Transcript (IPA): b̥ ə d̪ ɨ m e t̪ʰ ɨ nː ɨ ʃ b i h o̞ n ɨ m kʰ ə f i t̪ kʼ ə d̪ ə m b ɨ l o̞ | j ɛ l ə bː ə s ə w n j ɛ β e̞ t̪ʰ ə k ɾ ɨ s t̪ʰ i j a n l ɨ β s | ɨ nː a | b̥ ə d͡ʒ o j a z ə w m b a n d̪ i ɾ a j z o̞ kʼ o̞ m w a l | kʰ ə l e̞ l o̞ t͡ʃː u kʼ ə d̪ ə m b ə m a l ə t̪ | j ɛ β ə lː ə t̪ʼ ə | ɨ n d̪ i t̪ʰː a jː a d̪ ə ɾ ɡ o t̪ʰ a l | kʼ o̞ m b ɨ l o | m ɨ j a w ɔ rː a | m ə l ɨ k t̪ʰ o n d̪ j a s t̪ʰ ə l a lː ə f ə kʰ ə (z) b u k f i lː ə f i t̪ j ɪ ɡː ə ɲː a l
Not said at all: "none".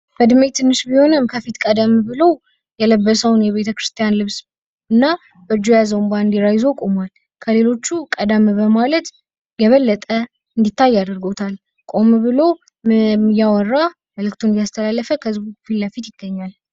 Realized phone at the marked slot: z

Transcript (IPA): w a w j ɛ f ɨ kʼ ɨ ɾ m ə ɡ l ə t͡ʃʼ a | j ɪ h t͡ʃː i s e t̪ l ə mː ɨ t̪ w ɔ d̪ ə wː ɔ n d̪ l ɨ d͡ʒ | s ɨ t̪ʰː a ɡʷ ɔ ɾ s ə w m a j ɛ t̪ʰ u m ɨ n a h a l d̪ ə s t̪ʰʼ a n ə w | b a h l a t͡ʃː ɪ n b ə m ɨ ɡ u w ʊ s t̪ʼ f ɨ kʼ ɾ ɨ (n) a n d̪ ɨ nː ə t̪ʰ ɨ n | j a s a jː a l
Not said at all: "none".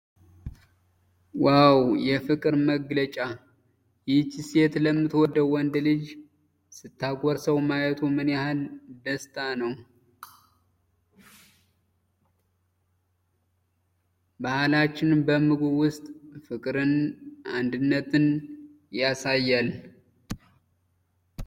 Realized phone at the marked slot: n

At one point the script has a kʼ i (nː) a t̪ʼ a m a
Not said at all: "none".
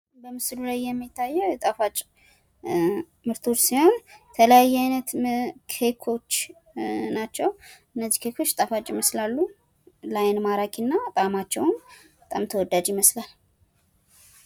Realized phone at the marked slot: nː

